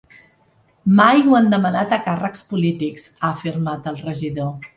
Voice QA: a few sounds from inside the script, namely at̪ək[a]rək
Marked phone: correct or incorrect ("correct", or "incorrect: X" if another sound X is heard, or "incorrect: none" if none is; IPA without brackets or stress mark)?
correct